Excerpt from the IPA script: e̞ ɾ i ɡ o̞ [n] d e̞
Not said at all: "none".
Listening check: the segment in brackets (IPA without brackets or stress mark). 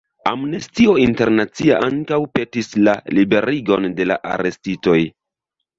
n